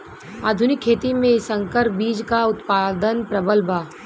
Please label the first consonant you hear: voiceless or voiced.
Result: voiced